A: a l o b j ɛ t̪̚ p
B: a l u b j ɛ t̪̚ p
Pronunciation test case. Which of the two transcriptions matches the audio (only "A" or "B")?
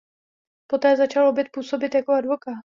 A